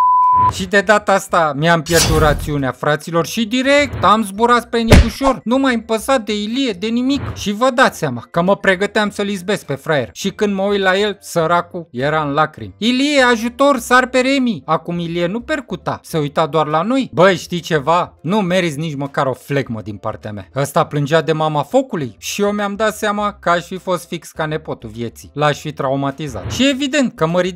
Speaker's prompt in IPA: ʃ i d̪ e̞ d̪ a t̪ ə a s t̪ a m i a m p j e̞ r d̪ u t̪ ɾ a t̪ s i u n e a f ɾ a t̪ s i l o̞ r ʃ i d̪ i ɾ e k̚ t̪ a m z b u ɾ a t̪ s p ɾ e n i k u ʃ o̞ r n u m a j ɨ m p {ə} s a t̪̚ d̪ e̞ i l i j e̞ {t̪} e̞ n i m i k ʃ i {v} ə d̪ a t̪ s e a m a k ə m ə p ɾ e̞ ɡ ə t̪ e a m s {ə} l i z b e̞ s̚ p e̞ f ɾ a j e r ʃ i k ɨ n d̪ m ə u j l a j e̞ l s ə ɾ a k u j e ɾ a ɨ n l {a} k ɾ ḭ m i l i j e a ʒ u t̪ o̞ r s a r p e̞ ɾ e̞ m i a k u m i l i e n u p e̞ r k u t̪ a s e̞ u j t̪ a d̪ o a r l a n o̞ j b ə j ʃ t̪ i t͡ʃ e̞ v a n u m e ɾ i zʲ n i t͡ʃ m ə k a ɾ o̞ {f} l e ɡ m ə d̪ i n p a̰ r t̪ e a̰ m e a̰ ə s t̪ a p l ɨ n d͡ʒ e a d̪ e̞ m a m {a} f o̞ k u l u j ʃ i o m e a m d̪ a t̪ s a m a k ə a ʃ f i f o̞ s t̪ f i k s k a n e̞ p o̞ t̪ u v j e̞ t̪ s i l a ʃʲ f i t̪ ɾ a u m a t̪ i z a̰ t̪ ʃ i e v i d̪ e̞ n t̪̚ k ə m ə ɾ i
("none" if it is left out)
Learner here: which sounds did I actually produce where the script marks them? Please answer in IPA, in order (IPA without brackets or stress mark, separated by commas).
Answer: ə, d̪, v, ə, a, f, a